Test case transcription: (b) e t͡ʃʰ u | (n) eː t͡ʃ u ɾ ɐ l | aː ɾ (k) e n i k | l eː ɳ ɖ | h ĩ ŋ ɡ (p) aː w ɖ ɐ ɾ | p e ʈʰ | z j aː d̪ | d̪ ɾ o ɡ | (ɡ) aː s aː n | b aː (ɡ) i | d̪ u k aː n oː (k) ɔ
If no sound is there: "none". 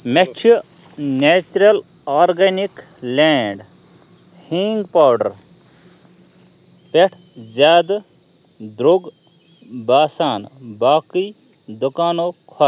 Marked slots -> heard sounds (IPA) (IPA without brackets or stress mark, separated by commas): m, n, ɡ, p, b, k, kʰ